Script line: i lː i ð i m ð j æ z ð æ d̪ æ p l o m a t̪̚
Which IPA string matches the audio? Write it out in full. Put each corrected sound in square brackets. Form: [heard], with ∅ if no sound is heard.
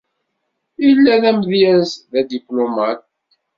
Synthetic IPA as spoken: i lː [æ] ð [æ] m ð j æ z ð æ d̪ [i] p l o m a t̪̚